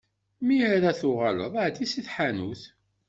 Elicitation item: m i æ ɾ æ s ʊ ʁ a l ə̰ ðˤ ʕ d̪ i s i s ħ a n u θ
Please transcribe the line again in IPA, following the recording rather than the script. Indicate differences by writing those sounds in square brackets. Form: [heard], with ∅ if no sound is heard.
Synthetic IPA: m i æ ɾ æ [θ] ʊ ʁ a l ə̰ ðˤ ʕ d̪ i s i [θ] ħ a n u θ